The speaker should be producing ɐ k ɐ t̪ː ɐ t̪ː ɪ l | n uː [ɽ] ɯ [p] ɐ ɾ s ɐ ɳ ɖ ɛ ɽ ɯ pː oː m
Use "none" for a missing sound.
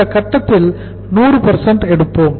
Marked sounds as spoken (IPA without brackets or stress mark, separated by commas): r, p